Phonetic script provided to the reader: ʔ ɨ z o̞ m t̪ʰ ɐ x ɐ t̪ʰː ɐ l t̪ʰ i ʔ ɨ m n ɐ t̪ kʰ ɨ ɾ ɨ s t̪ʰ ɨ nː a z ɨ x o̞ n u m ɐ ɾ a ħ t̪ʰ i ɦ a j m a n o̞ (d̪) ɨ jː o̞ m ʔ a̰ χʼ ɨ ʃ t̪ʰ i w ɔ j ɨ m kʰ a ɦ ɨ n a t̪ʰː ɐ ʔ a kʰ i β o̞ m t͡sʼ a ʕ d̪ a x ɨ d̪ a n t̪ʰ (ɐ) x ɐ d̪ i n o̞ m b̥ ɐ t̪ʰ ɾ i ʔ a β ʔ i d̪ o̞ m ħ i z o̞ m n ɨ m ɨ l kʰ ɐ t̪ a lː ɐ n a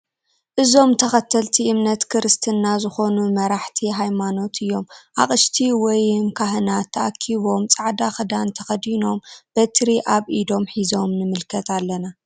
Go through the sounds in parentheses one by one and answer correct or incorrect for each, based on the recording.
incorrect, correct

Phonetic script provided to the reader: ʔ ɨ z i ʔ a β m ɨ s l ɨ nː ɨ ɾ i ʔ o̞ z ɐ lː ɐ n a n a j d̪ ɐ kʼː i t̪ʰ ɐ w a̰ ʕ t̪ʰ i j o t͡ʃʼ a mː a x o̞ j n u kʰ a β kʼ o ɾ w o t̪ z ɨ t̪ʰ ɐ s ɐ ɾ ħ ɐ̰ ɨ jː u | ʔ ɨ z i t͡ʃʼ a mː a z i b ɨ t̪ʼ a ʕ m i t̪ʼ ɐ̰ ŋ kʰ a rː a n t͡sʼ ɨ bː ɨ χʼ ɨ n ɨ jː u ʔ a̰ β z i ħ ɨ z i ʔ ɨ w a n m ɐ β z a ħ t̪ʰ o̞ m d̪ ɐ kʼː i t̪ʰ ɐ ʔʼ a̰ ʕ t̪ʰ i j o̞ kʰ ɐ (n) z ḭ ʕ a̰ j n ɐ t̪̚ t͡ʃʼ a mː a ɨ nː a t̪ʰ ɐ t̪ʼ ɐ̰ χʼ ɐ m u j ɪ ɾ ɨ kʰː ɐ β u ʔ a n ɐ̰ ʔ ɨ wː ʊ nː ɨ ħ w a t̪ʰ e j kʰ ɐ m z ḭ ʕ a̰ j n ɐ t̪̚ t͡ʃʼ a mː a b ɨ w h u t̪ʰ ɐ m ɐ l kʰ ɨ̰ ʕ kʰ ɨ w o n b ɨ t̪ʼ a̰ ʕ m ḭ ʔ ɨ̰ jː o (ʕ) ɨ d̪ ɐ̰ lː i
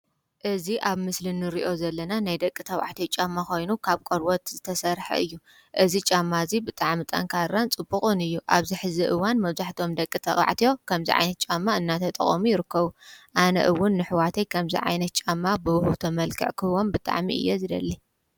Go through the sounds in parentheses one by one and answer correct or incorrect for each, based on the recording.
incorrect, incorrect

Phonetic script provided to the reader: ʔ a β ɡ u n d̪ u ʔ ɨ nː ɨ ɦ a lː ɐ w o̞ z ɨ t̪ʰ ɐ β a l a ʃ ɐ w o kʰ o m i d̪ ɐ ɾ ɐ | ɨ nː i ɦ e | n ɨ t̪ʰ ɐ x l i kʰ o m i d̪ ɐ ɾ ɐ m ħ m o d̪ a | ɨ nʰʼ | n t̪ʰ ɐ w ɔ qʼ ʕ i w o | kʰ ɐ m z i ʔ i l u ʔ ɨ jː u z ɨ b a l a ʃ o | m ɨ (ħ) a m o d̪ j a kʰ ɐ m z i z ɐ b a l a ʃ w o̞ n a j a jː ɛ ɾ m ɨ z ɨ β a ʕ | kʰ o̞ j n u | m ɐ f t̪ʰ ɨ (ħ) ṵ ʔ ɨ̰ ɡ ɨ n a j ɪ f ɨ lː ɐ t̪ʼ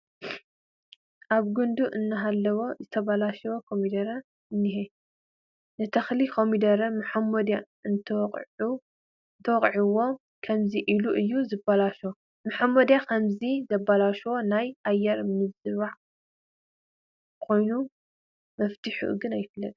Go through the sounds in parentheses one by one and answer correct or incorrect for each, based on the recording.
correct, correct

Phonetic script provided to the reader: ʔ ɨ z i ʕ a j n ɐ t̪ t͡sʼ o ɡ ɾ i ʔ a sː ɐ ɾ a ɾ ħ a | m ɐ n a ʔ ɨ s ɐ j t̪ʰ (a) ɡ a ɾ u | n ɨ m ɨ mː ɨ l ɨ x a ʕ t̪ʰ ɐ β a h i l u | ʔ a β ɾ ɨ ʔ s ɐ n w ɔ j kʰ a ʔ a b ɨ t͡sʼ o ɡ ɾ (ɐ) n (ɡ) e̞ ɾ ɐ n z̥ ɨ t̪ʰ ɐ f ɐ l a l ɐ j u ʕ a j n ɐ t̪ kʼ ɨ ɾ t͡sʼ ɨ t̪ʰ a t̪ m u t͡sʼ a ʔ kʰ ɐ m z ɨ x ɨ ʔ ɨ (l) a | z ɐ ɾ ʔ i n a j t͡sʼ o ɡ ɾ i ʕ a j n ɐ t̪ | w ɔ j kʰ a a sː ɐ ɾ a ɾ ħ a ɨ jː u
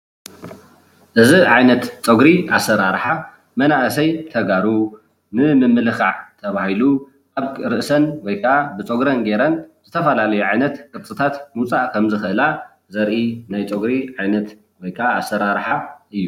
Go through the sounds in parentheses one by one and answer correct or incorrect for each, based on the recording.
incorrect, correct, correct, correct

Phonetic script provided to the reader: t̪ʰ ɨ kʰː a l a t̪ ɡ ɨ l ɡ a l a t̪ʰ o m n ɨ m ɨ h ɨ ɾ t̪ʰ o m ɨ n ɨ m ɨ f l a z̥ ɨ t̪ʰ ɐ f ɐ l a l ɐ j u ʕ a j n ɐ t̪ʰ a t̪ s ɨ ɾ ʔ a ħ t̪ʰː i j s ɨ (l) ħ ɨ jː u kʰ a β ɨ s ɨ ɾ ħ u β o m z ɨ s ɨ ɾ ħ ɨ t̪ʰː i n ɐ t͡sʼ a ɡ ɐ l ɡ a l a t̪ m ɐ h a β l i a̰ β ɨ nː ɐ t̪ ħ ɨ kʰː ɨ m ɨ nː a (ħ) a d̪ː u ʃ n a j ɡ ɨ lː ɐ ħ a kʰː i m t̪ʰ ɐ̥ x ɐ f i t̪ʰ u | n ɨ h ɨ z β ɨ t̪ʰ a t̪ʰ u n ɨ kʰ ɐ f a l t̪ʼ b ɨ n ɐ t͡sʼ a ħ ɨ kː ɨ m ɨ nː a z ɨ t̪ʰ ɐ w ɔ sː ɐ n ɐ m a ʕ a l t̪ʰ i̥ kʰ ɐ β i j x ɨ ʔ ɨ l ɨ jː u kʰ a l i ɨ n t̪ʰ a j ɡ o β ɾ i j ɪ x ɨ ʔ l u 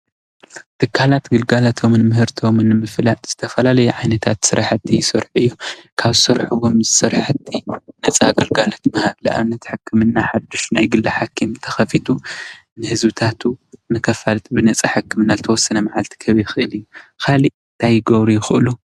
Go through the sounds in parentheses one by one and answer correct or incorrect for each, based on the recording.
incorrect, correct

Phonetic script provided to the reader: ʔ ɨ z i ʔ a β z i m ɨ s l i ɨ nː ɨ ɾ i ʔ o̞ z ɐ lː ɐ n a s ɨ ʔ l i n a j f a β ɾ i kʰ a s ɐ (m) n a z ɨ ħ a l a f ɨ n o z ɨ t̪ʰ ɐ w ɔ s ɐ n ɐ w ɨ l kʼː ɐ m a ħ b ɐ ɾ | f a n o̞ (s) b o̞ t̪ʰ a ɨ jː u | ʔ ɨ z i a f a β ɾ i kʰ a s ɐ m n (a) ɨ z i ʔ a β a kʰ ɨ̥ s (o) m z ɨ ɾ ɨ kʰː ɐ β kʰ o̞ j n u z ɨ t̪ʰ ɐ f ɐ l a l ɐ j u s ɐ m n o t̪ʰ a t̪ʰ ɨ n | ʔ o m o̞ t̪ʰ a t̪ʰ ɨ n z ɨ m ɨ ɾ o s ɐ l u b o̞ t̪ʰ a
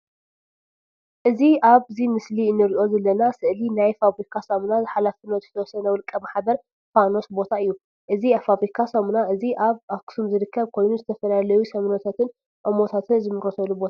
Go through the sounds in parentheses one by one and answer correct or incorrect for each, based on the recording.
correct, correct, correct, incorrect

